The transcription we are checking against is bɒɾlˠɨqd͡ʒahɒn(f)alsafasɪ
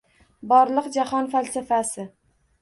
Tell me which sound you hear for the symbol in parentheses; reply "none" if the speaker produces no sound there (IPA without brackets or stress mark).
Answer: f